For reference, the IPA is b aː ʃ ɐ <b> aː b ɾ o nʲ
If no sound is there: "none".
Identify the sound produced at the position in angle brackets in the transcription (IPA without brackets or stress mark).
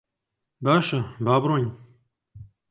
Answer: b